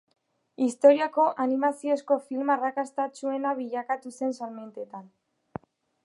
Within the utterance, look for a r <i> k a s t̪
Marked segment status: incorrect: a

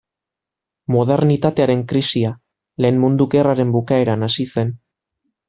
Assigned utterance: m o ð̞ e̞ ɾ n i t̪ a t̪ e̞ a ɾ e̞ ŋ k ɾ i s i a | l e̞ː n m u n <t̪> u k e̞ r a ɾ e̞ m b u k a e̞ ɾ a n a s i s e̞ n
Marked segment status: incorrect: d̪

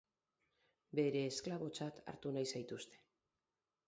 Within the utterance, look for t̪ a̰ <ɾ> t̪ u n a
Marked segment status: correct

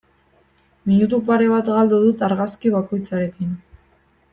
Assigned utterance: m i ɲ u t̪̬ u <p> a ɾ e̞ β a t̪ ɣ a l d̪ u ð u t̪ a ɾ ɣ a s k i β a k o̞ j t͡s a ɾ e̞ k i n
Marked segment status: correct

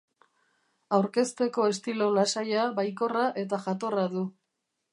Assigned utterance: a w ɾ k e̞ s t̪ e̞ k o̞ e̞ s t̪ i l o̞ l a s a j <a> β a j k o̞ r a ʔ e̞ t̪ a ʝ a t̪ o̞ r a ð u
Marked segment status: correct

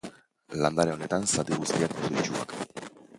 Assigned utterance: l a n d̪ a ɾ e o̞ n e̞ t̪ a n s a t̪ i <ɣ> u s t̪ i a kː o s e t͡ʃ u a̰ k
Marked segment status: correct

